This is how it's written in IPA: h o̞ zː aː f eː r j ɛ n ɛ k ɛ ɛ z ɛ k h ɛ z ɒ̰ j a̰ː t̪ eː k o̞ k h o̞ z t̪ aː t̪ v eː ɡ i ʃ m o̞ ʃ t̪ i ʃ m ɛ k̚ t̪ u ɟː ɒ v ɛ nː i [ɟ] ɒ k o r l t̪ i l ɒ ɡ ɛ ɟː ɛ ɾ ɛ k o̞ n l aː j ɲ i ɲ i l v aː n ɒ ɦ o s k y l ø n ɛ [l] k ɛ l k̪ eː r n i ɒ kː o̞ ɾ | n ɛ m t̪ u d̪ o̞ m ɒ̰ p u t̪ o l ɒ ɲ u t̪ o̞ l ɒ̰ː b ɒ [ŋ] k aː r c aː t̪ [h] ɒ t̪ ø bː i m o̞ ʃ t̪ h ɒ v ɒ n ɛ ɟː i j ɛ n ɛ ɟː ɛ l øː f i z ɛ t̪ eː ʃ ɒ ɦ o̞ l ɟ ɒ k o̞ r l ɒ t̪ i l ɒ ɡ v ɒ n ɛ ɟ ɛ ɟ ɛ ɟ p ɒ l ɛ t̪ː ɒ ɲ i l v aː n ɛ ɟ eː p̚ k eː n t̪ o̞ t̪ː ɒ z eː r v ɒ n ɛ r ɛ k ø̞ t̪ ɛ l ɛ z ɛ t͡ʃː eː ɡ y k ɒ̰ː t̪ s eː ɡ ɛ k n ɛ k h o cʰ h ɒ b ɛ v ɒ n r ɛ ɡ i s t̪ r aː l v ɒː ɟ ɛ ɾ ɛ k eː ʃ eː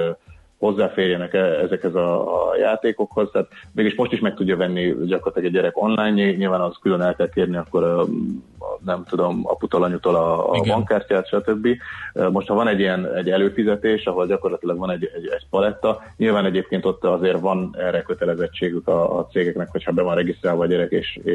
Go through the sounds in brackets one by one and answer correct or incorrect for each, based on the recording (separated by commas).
correct, correct, correct, incorrect